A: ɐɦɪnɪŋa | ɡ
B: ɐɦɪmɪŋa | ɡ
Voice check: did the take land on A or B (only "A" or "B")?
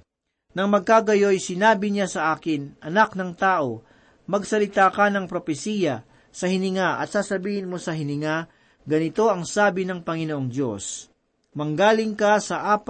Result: A